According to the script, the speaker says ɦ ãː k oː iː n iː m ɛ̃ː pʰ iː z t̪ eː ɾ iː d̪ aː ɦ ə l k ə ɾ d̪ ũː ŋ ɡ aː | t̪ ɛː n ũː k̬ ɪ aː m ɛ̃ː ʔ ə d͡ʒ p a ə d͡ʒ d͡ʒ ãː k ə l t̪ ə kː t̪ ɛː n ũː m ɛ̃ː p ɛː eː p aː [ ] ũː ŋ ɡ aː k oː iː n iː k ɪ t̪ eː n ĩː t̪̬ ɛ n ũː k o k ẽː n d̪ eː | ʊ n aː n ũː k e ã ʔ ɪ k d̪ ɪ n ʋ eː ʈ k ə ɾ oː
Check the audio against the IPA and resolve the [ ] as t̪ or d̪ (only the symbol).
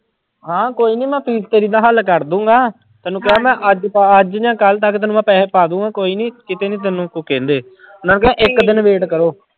d̪